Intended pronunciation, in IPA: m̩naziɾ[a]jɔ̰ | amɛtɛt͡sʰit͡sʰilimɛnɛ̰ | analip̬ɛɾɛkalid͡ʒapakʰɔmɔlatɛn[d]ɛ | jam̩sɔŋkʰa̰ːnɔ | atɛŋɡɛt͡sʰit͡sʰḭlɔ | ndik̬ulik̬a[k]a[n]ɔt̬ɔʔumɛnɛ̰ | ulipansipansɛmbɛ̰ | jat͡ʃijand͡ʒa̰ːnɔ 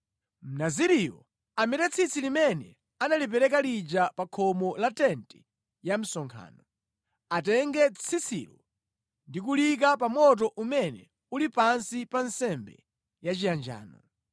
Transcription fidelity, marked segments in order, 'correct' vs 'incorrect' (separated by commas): incorrect, incorrect, incorrect, incorrect